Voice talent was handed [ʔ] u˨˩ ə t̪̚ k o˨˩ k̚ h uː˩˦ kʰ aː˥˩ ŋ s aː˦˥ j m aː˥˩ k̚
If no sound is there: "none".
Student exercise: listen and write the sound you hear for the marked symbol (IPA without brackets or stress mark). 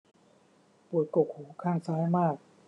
p